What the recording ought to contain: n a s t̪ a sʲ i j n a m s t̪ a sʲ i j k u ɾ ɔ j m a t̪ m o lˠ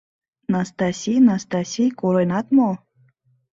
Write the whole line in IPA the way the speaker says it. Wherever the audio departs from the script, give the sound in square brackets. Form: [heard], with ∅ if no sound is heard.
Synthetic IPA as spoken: n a s t̪ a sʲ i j n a [∅] s t̪ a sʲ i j k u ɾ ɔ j [n] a t̪ m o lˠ